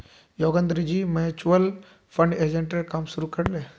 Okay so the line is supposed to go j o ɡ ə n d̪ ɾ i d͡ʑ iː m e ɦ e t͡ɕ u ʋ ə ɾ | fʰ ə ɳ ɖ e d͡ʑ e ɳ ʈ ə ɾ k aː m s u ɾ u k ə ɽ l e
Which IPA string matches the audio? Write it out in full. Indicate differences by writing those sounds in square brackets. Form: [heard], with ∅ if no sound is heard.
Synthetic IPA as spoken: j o ɡ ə n d̪ ɾ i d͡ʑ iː m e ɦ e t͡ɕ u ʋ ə [l] | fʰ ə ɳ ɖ e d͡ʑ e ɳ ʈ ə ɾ k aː m s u ɾ u k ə ɽ l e